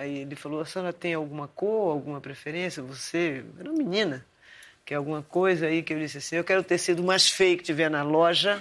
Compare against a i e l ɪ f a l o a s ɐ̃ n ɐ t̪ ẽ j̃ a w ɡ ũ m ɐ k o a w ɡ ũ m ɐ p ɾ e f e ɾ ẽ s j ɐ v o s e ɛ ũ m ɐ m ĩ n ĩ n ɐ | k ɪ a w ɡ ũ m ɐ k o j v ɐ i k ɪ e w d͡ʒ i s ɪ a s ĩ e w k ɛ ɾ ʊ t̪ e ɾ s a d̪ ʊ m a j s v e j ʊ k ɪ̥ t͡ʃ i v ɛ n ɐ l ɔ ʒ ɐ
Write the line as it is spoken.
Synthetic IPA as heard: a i e l ɪ f a l o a s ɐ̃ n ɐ t̪ ẽ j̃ a w ɡ ũ m ɐ k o a w ɡ ũ m ɐ p ɾ e f e ɾ ẽ s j ɐ v o s e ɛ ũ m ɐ m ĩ n ĩ n ɐ | k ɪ a w ɡ ũ m ɐ k o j z ɐ i k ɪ e w d͡ʒ i s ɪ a s ĩ e w k ɛ ɾ ʊ t̪ e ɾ s i d̪ ʊ m a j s f e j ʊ k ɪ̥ t͡ʃ i v ɛ n ɐ l ɔ ʒ ɐ